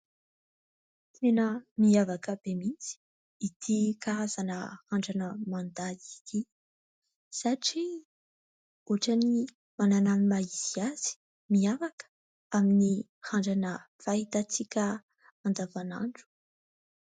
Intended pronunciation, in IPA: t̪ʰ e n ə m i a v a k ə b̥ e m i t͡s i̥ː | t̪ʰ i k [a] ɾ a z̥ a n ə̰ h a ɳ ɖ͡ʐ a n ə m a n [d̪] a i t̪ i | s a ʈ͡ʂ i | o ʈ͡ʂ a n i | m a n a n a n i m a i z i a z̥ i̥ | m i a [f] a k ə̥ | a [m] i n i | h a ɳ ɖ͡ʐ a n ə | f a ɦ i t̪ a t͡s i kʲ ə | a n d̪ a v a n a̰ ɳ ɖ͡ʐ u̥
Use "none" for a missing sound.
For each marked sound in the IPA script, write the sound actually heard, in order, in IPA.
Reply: a, d̪, v, m

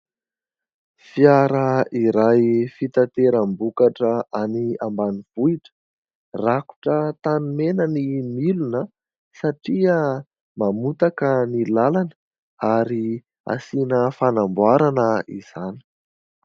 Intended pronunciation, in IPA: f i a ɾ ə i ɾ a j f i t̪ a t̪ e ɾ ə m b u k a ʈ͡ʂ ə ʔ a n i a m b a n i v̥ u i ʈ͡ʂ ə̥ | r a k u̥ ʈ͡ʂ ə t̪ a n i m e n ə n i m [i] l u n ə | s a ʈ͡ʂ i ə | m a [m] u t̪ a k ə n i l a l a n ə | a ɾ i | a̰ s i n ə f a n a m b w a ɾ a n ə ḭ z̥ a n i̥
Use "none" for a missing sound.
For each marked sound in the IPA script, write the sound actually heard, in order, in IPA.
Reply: i, m

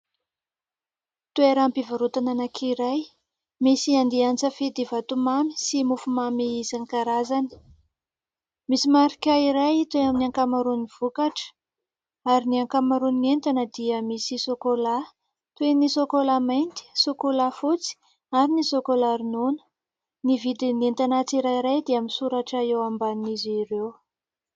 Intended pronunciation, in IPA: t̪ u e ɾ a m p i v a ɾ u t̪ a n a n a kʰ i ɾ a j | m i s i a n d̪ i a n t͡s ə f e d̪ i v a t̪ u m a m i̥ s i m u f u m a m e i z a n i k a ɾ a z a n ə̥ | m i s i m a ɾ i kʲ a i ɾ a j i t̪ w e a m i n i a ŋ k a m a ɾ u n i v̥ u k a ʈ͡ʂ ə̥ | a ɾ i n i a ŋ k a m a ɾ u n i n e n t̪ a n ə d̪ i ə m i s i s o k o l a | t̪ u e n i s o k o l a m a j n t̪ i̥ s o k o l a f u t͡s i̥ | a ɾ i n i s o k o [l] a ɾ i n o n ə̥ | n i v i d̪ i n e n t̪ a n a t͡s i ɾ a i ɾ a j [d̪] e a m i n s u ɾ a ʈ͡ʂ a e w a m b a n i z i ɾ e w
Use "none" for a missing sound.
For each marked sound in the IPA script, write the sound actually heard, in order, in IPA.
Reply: l, d̪

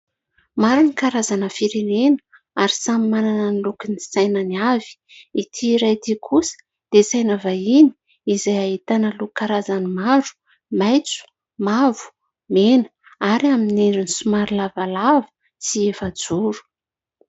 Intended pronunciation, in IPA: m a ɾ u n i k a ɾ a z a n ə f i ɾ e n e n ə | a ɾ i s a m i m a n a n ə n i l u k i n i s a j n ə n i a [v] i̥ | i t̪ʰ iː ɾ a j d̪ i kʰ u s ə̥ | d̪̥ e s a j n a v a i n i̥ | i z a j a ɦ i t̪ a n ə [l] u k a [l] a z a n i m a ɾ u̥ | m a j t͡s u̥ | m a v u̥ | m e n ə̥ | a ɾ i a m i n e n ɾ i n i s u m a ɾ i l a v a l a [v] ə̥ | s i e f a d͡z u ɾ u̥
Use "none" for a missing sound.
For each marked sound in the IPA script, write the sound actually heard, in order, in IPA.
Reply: v, l, ɾ, v

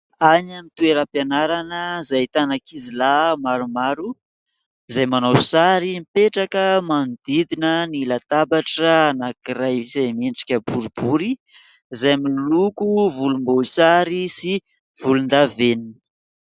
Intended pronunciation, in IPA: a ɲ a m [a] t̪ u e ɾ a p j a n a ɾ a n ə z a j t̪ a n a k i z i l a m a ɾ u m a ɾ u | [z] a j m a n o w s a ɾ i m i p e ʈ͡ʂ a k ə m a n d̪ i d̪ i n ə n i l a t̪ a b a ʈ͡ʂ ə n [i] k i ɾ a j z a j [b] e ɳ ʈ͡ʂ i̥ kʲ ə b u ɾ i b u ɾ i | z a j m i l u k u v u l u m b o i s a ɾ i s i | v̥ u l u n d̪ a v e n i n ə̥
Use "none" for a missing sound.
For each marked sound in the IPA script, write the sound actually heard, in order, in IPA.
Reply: i, z, a, m

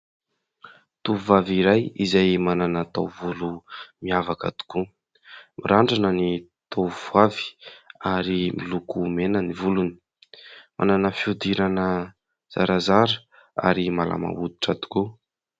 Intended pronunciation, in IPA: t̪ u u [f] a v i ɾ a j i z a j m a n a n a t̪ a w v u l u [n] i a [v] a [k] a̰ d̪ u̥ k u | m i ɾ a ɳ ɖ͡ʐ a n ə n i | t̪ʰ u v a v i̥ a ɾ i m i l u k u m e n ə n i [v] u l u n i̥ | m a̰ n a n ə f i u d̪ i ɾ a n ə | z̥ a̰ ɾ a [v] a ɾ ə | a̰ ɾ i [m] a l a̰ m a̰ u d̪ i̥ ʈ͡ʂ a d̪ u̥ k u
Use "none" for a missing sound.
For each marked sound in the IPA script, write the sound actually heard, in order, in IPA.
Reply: v, m, v, k, v, z, m

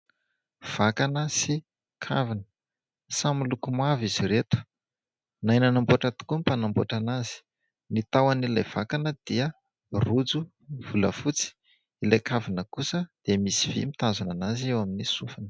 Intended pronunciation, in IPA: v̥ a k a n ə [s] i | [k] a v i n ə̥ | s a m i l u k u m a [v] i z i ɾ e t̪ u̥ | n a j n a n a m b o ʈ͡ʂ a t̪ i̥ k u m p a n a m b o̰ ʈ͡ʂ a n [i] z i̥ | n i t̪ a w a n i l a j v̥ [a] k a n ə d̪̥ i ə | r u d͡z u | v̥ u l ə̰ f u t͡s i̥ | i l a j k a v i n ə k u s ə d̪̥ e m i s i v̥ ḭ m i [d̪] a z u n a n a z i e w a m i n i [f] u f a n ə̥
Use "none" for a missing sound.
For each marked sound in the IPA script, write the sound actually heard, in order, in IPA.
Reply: s, kʰ, v, a, a, t̪, s

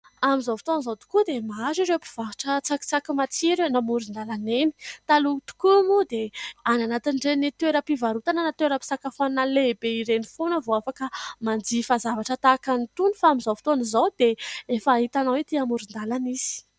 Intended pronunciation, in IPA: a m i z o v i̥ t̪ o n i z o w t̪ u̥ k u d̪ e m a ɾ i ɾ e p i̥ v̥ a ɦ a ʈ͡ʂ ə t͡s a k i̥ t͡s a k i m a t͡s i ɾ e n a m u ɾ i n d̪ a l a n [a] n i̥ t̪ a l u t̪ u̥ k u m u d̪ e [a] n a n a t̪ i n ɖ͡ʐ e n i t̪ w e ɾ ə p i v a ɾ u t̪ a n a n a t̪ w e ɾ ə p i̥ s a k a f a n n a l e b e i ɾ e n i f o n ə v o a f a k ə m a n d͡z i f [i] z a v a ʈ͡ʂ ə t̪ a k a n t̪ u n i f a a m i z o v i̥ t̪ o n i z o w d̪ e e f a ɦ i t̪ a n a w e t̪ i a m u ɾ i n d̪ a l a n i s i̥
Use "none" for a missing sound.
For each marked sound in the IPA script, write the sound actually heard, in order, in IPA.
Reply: e, a, a

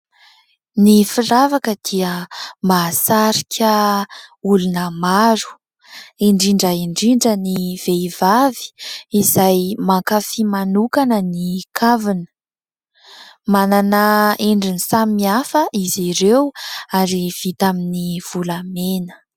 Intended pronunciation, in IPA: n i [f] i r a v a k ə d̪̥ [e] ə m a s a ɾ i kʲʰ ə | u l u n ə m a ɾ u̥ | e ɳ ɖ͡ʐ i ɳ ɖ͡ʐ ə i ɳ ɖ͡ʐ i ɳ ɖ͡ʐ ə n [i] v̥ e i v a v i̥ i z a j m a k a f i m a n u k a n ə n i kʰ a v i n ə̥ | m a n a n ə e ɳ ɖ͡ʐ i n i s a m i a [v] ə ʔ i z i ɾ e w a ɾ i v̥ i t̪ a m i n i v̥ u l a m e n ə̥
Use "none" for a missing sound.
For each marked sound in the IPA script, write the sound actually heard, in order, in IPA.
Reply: f, i, i, f

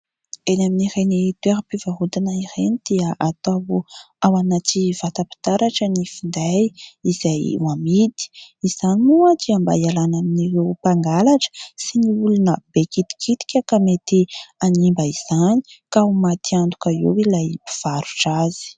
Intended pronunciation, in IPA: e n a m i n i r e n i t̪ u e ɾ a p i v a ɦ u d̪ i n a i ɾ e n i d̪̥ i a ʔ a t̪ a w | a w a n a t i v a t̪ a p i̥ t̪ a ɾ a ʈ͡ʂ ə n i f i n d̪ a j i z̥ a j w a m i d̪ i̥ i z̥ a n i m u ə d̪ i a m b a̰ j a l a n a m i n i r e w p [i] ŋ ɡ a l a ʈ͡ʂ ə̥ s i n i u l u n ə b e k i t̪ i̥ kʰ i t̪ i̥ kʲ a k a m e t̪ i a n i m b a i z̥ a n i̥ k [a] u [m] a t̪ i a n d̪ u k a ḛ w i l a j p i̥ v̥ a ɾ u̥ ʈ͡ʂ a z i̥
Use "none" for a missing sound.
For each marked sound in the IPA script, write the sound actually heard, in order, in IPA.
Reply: a, a, m

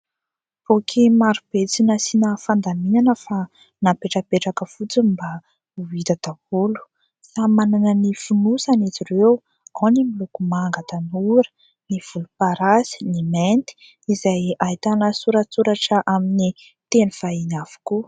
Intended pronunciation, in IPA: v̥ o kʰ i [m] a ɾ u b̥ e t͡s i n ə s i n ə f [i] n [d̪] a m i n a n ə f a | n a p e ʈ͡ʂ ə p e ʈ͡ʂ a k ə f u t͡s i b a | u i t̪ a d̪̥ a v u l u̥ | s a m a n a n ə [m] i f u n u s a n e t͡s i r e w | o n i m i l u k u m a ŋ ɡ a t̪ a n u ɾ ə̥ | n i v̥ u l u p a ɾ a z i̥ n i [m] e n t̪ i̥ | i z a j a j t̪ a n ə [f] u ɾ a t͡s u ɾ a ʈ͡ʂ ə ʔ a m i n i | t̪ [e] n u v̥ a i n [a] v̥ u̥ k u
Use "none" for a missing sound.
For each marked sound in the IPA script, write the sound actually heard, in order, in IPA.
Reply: m, a, d̪, n, m, s, e, a

